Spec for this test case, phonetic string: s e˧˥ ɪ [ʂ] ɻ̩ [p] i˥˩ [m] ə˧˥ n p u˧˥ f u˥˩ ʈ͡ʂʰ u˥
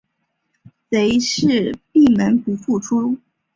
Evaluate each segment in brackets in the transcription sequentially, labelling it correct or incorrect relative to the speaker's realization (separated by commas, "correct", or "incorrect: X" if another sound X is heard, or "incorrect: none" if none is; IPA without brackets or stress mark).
correct, correct, correct